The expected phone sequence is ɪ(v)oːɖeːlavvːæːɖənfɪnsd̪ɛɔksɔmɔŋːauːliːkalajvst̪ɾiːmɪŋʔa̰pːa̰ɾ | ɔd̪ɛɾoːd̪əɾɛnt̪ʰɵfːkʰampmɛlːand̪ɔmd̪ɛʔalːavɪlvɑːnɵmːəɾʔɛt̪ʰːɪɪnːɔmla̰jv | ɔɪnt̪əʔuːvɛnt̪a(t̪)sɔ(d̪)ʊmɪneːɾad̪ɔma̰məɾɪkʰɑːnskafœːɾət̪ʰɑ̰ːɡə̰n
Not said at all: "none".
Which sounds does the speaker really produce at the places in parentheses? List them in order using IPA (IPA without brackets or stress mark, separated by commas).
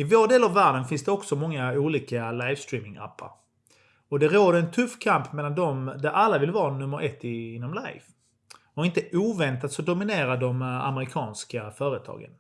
v, t̪, d̪